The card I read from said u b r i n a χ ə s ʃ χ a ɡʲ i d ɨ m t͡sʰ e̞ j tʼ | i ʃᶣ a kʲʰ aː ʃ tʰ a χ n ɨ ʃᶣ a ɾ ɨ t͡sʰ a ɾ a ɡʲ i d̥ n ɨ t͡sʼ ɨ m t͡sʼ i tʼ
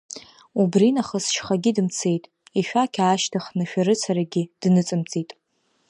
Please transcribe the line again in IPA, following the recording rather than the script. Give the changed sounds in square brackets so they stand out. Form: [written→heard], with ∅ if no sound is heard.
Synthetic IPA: u b r i n a χ ə s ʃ χ a ɡʲ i d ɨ m t͡sʰ e̞ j tʼ | i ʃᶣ a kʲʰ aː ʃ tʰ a χ n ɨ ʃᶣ a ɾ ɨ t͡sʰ a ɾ a ɡʲ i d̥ n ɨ t͡sʼ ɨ m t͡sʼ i tʼ